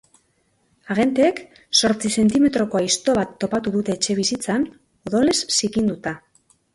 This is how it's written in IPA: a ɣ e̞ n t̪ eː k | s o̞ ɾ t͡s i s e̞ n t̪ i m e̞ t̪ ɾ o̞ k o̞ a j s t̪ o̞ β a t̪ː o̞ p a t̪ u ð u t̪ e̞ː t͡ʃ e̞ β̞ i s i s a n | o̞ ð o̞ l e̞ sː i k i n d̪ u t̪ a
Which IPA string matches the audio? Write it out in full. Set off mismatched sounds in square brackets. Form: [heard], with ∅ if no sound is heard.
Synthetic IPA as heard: a ɣ e̞ n t̪ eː k | s o̞ ɾ t͡s i s e̞ n t̪ i m e̞ t̪ ɾ o̞ k o̞ a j s t̪ o̞ β a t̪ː o̞ p a t̪ u ð u t̪ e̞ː t͡ʃ e̞ β̞ i s i [t͡s] a n | o̞ ð o̞ l e̞ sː i k i n d̪ u t̪ a

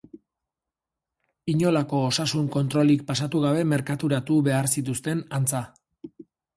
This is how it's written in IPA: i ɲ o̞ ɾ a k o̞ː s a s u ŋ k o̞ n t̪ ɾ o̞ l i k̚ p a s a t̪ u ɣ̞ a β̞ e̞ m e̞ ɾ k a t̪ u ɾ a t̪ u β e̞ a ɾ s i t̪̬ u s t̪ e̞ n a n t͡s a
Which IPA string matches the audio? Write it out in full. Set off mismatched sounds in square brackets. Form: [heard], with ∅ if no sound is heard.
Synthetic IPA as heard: i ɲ o̞ [l] a k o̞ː s a s u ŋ k o̞ n t̪ ɾ o̞ l i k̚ p a s a t̪ u ɣ̞ a β̞ e̞ m e̞ ɾ k a t̪ u ɾ a t̪ u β e̞ a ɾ s i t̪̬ u s t̪ e̞ n a n t͡s a

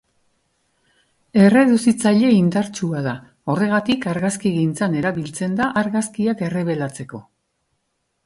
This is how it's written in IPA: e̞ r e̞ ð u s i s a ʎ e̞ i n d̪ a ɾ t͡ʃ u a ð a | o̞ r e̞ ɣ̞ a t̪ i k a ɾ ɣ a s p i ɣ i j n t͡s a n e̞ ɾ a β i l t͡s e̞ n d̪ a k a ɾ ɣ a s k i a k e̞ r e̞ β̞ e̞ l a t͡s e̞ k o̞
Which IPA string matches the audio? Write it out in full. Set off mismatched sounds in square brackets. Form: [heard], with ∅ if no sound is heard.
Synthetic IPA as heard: e̞ r e̞ ð u s i [t͡s] a ʎ e̞ i n d̪ a ɾ t͡ʃ u a ð a | o̞ r e̞ ɣ̞ a t̪ i k a ɾ ɣ a s [k] i ɣ i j n t͡s a n e̞ ɾ a β i l t͡s e̞ n d̪ a [ʔ] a ɾ ɣ a s k i a k e̞ r e̞ β̞ e̞ l a t͡s e̞ k o̞

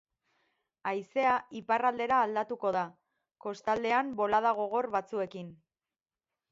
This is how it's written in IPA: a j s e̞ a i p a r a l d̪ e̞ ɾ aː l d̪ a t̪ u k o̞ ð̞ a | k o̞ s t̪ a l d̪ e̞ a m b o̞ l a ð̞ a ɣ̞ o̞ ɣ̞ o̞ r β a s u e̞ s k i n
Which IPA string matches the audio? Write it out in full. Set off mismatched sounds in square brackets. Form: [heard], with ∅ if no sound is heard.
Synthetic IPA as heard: a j s e̞ a i p a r a l d̪ e̞ ɾ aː l d̪ a t̪ u k o̞ ð̞ a | k o̞ s t̪ a l d̪ e̞ a m b o̞ l a ð̞ a ɣ̞ o̞ ɣ̞ o̞ r β a [t͡s] u e̞ [∅] k i n

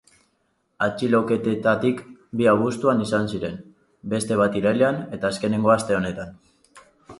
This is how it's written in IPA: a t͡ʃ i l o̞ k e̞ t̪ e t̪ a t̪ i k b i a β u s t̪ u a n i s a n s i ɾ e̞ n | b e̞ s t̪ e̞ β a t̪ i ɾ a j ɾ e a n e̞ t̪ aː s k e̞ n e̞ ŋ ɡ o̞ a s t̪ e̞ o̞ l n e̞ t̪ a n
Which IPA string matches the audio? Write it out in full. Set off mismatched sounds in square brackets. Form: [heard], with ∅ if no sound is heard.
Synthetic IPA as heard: a t͡ʃ i l o̞ k e̞ t̪ e t̪ a t̪ i k b i a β u s t̪ u a n i s a n s i ɾ e̞ n | b e̞ s t̪ e̞ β a t̪ i ɾ a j [l] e a n e̞ t̪ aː s k e̞ n e̞ ŋ ɡ o̞ a s t̪ e̞ o̞ [∅] n e̞ t̪ a n

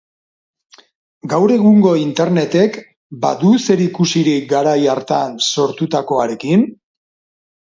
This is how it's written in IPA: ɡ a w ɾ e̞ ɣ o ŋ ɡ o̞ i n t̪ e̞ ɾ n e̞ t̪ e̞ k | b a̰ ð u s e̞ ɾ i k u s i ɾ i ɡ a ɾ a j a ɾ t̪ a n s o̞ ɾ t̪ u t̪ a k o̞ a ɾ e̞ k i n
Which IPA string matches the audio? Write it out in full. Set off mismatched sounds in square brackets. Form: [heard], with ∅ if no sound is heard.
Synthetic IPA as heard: ɡ a w ɾ e̞ ɣ [u] ŋ ɡ o̞ i n t̪ e̞ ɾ n e̞ t̪ e̞ k | b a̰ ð u s e̞ ɾ i k u s i ɾ i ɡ a ɾ a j a ɾ t̪ a n s o̞ ɾ t̪ u t̪ a k o̞ a ɾ e̞ k i n

